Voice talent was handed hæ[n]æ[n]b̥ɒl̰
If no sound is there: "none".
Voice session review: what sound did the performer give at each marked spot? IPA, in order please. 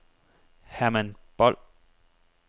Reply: m, n

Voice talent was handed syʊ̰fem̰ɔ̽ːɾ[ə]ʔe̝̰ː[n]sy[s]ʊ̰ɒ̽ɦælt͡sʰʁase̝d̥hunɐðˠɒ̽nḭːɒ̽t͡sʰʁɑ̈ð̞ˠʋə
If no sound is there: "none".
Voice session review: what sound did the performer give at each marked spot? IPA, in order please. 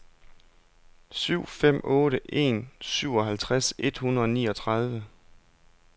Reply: ə, n, none

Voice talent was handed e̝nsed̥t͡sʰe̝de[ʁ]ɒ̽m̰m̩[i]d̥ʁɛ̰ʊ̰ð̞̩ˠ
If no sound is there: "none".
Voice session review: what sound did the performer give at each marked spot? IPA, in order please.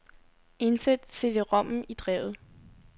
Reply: ʁ, i

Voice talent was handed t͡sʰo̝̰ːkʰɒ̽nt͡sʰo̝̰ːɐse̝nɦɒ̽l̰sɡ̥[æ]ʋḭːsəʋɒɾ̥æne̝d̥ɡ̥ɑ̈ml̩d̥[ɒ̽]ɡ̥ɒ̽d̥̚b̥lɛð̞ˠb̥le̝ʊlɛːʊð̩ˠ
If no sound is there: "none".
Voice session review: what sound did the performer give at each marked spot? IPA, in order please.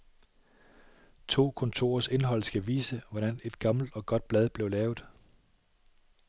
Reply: æ, ɒ̽

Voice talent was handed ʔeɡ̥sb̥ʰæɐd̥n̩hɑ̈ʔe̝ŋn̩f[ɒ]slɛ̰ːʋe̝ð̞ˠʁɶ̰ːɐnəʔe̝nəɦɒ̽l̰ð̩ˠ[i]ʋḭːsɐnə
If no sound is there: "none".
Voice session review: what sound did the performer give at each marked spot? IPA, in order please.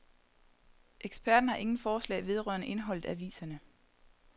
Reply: ɒː, æ

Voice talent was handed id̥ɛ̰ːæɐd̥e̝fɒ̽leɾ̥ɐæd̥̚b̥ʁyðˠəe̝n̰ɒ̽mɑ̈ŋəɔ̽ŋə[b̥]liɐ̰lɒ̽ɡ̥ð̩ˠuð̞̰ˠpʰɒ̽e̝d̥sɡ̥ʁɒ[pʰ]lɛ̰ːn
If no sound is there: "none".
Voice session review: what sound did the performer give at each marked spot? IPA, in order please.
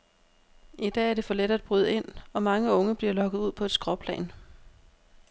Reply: b̥, pʰ

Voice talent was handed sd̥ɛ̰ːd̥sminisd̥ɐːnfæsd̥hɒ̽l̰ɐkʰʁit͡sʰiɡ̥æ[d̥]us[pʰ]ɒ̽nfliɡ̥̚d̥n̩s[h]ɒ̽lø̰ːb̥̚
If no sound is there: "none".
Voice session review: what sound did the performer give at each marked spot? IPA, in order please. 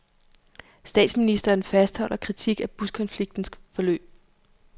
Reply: b̥, kʰ, f

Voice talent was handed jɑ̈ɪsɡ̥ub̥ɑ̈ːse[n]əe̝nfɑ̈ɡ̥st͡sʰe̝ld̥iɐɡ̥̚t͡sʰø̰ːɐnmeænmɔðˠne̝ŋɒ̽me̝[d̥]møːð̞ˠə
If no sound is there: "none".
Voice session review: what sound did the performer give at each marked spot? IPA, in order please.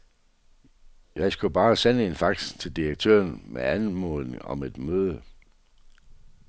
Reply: n, d̥

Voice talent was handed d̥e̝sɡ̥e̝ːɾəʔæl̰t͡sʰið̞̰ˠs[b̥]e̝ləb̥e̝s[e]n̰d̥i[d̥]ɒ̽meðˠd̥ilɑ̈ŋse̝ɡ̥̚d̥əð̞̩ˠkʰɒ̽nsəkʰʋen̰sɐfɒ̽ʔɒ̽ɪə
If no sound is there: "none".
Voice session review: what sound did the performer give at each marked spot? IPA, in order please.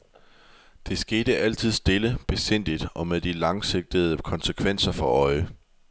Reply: d̥, e, d̥

